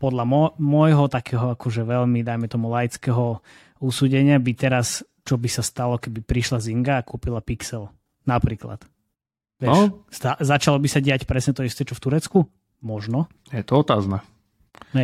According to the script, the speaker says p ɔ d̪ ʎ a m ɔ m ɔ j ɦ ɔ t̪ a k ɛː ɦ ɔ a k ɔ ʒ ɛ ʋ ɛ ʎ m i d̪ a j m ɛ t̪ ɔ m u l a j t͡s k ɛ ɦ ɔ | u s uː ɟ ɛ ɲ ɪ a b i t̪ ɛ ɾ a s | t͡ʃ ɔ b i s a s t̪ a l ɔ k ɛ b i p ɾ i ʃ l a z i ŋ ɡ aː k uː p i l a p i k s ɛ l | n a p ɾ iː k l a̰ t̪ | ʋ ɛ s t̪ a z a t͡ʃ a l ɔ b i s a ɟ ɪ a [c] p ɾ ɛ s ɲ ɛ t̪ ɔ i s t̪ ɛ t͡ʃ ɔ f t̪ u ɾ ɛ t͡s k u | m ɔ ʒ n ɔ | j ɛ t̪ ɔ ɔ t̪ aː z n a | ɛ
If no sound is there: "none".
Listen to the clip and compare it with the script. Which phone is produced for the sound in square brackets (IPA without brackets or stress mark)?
c